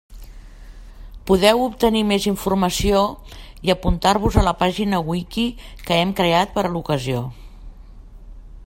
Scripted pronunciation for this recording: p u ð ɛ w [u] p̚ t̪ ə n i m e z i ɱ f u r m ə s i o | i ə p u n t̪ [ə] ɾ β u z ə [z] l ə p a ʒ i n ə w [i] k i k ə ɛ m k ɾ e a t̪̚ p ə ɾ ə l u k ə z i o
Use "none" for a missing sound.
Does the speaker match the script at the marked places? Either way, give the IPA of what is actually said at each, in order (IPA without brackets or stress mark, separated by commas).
u, a, none, i